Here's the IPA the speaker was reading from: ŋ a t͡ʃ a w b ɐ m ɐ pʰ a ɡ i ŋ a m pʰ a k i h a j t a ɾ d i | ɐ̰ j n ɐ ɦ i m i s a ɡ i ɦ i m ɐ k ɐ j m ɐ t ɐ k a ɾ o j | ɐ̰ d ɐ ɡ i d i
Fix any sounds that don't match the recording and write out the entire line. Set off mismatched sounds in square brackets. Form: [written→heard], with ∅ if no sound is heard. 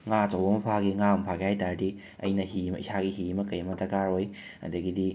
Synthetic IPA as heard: ŋ a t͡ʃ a w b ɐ m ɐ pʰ a ɡ i ŋ a m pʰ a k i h a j t a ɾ d i | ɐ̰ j n ɐ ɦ i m i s a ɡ i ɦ i m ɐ k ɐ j m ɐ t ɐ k a ɾ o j | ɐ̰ d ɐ ɡ i d i

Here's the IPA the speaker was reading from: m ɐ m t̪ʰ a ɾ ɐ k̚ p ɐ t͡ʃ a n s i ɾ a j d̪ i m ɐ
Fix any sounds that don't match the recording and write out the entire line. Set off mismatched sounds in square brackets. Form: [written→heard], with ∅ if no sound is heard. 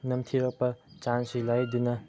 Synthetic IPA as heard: [m→n] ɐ m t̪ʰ [a→i] ɾ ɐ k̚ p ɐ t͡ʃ a n s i [ɾ→l] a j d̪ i [m→n] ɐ

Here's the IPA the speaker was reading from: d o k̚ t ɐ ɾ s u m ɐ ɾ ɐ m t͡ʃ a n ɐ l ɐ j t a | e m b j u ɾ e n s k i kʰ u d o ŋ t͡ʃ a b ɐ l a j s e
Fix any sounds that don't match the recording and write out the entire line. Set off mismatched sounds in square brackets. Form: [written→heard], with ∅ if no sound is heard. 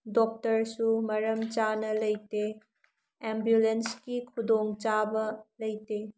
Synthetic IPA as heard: d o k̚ t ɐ ɾ s u m ɐ ɾ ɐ m t͡ʃ a n ɐ l ɐ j t [a→e] | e m b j u [ɾ→l] e n s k i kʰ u d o ŋ t͡ʃ a b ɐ l [a→ɐ] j [s→t] e

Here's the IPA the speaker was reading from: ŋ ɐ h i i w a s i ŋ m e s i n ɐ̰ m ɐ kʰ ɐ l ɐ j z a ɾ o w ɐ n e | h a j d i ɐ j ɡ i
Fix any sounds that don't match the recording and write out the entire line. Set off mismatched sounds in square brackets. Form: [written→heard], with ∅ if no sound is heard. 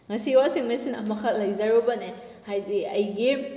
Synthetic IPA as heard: ŋ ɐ [h→s] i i w a s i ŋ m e s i n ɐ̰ m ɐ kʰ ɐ l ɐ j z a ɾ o [w→b] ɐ n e | h a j d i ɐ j ɡ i

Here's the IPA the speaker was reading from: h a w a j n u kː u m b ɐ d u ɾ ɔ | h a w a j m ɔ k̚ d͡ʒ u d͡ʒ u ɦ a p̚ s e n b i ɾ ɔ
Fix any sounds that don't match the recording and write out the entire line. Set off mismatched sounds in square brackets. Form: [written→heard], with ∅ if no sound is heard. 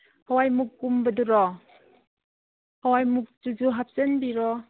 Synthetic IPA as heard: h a w a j [n→m] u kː u m b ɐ d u ɾ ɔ | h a w a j m [ɔ→u] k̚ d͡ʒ u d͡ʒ u ɦ a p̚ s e n b i ɾ ɔ

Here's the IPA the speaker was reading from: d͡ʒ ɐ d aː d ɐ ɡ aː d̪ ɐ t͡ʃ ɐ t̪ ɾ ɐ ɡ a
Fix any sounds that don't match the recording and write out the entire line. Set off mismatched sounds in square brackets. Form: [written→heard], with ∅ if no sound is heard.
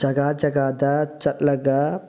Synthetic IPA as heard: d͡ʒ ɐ [d→ɡ] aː [d→d͡ʒ] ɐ ɡ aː d̪ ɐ t͡ʃ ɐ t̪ [ɾ→l] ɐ ɡ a

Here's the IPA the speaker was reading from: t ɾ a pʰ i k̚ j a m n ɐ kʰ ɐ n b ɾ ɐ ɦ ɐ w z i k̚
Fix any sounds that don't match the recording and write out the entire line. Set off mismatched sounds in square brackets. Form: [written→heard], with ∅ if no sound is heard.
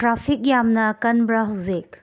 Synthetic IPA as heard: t ɾ a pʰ i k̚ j a m n ɐ [kʰ→k] ɐ n b ɾ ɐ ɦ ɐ w z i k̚

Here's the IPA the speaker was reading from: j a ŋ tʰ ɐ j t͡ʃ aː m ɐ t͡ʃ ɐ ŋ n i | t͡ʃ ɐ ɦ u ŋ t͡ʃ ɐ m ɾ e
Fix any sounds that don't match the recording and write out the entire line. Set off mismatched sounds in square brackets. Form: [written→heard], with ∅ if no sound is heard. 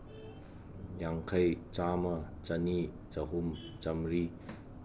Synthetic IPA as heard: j a ŋ [tʰ→kʰ] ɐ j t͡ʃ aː m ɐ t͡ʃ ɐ [ŋ→∅] n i | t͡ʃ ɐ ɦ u [ŋ→m] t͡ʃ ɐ m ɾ [e→i]

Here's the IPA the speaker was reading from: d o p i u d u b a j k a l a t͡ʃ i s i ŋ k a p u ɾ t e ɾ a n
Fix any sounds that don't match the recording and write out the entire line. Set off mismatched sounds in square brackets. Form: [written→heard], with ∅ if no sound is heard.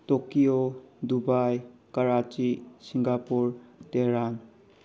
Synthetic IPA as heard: [d→t] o [p→k] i [u→o] d u b a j k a [l→ɾ] a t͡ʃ i s i ŋ [k→ɡ] a p u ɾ t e ɾ a n

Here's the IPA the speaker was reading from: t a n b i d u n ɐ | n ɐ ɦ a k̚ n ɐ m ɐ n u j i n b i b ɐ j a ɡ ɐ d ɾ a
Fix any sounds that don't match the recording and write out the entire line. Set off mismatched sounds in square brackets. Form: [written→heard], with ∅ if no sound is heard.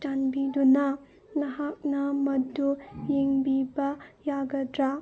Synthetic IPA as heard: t a n b i d u n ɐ | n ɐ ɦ a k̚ n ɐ m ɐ [n→d] u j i [n→ŋ] b i b ɐ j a ɡ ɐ d ɾ a

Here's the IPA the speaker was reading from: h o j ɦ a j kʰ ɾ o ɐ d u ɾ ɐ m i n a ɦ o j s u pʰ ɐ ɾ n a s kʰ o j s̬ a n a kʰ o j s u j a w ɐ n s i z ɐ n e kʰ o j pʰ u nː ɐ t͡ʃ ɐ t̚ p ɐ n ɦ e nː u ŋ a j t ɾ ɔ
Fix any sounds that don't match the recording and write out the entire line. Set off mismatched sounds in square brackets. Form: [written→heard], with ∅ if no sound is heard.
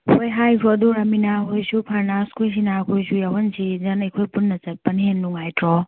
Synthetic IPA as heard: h o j ɦ a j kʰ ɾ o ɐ d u ɾ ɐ m i n a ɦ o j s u pʰ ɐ ɾ n a s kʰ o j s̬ [a→i] n a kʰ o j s u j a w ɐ n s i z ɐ n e kʰ o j [pʰ→p] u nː ɐ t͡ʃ ɐ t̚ p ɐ n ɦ e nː u ŋ a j t ɾ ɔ

